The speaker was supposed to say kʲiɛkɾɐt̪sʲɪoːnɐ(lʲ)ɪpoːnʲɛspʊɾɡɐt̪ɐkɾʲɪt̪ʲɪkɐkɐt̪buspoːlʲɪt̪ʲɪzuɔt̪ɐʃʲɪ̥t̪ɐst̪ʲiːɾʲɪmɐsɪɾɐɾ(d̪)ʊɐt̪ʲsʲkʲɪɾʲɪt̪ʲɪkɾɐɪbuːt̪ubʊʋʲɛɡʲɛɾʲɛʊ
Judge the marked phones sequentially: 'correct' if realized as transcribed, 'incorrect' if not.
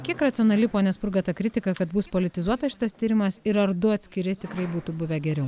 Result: correct, correct

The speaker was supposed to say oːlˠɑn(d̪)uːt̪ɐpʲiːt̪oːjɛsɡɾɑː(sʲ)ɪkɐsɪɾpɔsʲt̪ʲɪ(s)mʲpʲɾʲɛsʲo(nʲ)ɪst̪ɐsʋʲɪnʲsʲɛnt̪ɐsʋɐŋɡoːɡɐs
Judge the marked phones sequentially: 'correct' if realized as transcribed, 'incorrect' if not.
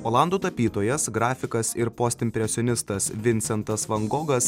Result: correct, incorrect, incorrect, correct

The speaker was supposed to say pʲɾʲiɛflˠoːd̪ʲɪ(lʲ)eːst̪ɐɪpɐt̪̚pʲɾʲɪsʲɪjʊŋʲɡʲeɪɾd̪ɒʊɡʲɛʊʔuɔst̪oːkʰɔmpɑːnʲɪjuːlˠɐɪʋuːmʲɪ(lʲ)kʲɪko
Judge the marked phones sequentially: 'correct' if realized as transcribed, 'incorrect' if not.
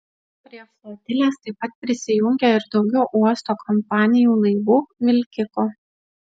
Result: correct, correct

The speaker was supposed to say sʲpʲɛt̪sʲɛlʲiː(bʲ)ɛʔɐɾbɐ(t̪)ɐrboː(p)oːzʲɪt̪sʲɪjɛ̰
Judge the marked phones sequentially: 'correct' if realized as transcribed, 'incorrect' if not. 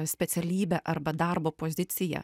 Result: correct, incorrect, correct

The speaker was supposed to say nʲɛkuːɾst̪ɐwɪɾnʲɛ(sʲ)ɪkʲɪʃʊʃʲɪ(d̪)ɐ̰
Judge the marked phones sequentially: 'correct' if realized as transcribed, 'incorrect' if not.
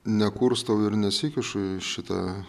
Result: correct, incorrect

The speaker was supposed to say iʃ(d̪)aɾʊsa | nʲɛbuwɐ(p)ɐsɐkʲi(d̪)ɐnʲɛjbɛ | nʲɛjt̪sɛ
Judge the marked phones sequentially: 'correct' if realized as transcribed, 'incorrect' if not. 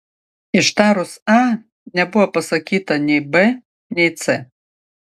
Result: incorrect, correct, incorrect

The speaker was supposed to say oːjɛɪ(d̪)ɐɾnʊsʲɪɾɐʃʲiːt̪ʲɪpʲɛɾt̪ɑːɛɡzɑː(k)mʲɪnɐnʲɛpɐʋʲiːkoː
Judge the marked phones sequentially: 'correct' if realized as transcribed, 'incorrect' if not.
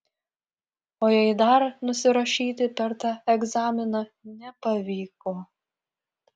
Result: correct, incorrect

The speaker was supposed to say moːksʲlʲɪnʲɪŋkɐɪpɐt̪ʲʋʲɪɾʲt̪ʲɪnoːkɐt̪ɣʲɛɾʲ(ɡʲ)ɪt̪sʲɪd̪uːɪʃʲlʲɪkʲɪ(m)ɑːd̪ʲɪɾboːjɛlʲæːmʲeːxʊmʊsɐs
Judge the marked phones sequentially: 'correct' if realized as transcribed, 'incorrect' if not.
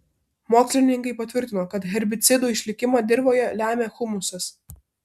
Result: incorrect, correct

